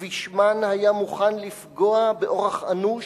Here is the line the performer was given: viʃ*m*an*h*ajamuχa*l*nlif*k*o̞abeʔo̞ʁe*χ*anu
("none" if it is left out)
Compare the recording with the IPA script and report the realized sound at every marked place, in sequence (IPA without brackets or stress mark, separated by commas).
m, h, none, ɡ, χ